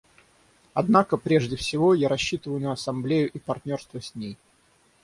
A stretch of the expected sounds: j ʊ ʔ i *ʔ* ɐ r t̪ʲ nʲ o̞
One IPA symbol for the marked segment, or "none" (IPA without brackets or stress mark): p